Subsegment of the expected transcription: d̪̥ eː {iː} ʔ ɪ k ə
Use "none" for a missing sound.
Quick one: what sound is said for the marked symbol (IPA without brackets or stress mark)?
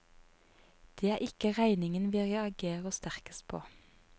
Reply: æː